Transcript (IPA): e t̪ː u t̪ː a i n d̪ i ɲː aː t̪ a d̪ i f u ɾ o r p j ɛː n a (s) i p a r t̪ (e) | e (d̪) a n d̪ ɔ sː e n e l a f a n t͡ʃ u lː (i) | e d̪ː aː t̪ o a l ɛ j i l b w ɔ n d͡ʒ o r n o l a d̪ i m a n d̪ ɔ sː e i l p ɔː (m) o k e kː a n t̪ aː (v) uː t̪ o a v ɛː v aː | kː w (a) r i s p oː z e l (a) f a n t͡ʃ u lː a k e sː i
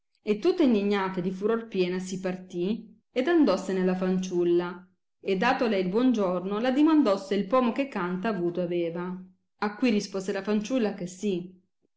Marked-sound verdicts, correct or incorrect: correct, incorrect: i, correct, incorrect: a, correct, correct, incorrect: i, correct

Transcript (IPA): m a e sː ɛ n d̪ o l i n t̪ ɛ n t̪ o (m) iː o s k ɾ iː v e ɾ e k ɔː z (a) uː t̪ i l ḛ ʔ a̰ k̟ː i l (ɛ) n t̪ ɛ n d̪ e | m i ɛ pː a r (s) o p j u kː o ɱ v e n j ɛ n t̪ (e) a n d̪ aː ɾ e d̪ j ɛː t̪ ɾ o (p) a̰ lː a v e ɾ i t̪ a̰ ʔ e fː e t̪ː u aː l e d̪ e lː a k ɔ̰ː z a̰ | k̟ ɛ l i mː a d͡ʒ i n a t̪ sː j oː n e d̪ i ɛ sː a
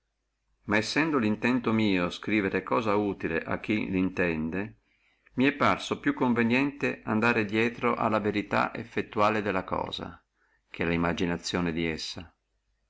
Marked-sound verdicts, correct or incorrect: correct, correct, incorrect: i, correct, correct, incorrect: ʔ

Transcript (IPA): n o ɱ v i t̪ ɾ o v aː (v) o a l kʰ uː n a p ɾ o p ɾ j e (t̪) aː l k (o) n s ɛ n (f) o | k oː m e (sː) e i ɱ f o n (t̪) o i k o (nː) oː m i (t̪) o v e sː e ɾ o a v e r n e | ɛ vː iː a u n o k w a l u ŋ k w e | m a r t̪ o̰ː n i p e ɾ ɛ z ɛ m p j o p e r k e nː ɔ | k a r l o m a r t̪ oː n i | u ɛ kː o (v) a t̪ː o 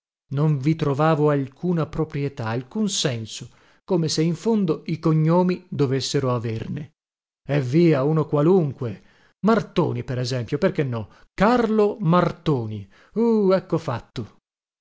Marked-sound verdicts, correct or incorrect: correct, correct, incorrect: u, incorrect: s, incorrect: s, incorrect: d̪, incorrect: ɲː, incorrect: d̪, incorrect: f

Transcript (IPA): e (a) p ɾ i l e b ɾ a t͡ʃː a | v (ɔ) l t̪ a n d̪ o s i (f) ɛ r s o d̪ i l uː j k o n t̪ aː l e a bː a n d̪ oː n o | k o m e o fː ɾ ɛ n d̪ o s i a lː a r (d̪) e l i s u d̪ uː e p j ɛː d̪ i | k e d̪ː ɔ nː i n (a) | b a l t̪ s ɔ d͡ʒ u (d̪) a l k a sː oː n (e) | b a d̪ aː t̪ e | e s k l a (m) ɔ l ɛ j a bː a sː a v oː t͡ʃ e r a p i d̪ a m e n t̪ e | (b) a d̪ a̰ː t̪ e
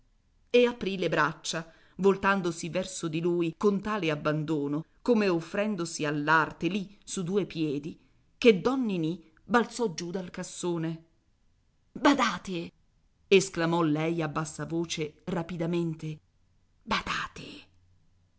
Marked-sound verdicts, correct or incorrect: correct, incorrect: o, incorrect: v, incorrect: t̪, incorrect: i, correct, correct, correct, correct

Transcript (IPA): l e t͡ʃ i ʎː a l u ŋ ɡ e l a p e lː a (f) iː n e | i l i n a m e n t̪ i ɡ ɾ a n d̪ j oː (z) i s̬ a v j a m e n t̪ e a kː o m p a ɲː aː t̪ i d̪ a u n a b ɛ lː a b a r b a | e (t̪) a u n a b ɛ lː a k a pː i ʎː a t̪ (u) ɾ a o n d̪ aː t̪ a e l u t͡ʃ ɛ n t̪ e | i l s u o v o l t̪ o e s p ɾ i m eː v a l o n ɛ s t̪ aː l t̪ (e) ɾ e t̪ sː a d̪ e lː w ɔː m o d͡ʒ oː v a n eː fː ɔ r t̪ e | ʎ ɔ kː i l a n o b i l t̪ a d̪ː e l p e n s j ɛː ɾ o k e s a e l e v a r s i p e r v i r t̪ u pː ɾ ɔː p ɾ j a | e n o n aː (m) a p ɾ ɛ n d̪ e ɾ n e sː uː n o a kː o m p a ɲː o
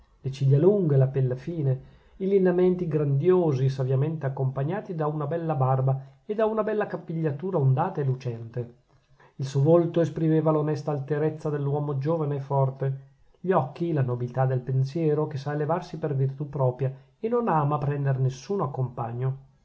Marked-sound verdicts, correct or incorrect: correct, correct, incorrect: d̪, incorrect: uː, correct, correct

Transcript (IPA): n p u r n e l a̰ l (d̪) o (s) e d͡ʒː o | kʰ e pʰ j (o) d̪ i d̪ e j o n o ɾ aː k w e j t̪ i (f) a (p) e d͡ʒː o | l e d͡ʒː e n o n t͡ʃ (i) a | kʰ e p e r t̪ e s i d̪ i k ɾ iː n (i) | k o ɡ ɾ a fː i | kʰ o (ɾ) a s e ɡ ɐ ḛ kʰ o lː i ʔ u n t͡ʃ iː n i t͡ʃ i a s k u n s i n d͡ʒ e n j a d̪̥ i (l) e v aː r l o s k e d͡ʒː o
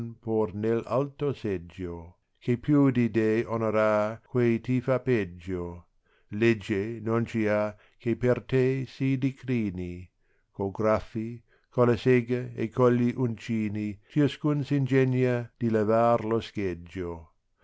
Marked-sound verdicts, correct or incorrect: incorrect: t̪, correct, incorrect: u, correct, correct, correct, correct, incorrect: l, correct

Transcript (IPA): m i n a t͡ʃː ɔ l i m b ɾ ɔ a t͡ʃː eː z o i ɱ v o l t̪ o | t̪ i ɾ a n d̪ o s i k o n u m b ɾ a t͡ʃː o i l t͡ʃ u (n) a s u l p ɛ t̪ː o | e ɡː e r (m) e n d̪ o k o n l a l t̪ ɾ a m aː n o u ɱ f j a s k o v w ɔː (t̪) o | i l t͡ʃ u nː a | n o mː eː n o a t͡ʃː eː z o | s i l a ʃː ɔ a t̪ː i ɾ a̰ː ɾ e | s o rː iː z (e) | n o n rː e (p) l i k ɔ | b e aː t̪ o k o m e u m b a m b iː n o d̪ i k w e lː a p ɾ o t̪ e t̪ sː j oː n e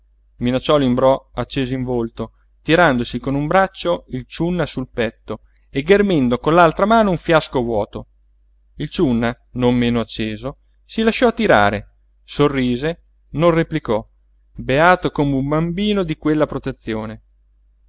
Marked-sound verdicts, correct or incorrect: incorrect: nː, correct, correct, correct, correct

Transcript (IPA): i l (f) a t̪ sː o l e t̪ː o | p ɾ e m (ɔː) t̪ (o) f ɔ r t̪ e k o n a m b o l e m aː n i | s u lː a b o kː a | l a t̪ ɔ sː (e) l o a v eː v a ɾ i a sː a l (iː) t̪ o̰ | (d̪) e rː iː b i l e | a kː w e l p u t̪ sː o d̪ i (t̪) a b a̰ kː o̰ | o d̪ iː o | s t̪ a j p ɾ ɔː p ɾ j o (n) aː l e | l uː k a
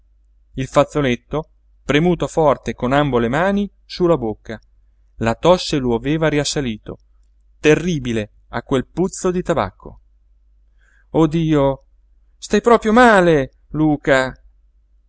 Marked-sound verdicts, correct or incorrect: correct, incorrect: uː, correct, correct, correct, incorrect: t̪, correct, incorrect: m

